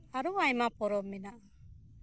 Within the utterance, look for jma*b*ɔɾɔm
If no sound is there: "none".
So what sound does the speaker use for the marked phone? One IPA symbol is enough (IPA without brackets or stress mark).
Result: p